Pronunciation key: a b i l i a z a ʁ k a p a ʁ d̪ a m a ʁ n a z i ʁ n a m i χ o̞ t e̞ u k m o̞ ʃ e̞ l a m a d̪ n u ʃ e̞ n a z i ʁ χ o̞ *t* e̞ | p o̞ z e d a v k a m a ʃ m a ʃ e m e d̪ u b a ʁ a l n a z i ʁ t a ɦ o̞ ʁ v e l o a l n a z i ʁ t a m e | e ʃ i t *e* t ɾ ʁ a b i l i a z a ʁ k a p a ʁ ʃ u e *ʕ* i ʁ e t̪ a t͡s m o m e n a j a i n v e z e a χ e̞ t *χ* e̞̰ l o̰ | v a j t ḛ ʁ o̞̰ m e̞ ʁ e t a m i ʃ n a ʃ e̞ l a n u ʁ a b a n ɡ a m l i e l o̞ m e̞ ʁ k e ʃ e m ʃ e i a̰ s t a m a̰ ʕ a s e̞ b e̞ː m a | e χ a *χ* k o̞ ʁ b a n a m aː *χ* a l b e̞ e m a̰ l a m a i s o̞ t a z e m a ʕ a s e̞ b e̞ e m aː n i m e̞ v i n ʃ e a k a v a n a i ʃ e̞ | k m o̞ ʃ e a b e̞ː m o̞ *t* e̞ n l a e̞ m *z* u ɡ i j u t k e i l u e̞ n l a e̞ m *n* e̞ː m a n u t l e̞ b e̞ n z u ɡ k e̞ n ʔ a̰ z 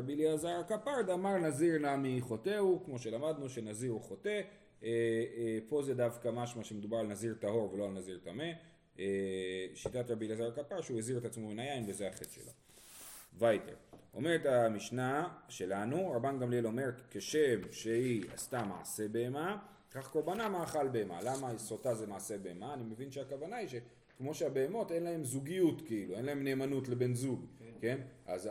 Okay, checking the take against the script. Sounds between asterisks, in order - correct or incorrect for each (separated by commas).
correct, incorrect, incorrect, incorrect, correct, correct, correct, correct, correct